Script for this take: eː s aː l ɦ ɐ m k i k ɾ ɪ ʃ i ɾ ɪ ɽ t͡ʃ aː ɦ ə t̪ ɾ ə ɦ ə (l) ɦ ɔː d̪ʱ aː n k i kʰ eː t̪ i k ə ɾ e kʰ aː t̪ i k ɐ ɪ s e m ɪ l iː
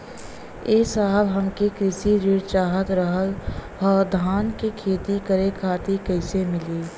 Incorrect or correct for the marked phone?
correct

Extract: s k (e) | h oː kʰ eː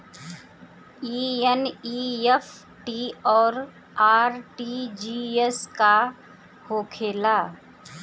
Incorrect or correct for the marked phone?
incorrect: a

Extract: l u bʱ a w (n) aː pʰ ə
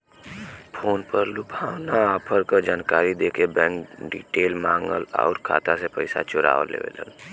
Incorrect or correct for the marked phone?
correct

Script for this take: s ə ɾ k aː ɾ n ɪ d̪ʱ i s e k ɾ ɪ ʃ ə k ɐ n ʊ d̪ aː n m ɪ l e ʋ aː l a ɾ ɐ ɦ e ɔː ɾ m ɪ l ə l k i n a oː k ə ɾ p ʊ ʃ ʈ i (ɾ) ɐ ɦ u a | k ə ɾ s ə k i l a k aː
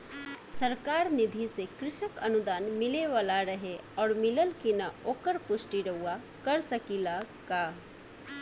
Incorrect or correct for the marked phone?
correct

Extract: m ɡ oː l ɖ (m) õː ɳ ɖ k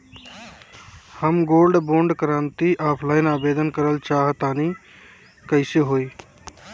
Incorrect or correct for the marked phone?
incorrect: b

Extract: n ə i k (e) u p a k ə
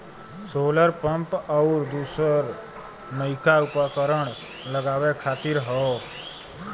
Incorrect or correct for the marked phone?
incorrect: a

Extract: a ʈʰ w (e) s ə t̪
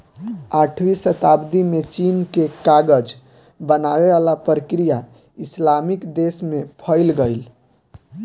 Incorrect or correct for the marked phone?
incorrect: i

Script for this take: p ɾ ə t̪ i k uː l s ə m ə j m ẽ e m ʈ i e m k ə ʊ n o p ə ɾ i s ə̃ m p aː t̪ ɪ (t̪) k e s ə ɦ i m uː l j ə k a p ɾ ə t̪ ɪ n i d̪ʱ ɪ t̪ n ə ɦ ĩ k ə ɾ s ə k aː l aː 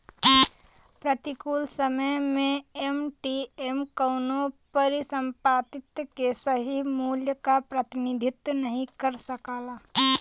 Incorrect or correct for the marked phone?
correct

